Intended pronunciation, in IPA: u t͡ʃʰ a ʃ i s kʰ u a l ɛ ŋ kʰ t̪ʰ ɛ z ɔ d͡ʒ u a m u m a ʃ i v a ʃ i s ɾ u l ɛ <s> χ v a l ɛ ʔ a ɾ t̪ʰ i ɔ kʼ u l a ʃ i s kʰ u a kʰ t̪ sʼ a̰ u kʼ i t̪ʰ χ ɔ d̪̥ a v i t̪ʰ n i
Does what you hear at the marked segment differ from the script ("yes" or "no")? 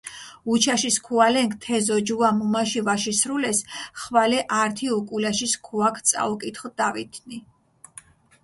no